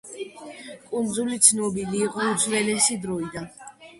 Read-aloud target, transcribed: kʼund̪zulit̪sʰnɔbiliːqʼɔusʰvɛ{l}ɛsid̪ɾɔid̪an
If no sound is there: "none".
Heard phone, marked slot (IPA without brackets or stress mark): l